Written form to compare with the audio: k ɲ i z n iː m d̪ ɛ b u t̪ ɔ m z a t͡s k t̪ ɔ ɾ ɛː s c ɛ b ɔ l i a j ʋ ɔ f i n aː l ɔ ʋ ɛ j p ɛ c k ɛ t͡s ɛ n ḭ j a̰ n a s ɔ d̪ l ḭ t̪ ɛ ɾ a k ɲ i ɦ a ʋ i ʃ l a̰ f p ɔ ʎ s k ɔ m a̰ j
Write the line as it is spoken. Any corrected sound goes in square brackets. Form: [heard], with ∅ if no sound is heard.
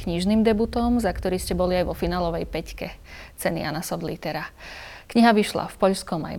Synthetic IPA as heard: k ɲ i [ʒ] n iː m d̪ ɛ b u t̪ ɔ m z a [∅] k t̪ ɔ ɾ [iː] s c ɛ b ɔ l i a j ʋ ɔ f i n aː l ɔ ʋ ɛ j p ɛ c k ɛ t͡s ɛ n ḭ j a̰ n a s ɔ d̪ l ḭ t̪ ɛ ɾ a k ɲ i ɦ a ʋ i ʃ l a̰ f p ɔ ʎ s k ɔ m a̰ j